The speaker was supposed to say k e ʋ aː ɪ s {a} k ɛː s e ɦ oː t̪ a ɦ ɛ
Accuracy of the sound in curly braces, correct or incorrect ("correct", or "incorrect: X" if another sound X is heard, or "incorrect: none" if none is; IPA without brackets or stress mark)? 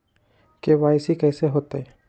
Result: incorrect: i